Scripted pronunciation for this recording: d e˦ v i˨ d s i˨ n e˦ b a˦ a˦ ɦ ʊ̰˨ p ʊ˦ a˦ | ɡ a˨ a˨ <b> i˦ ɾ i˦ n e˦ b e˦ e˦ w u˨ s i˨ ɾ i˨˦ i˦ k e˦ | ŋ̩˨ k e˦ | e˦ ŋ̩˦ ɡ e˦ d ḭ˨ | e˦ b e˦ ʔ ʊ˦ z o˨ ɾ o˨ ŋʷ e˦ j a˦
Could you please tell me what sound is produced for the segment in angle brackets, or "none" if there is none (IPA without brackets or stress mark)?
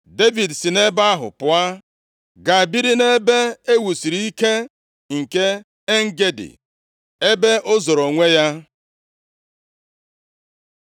b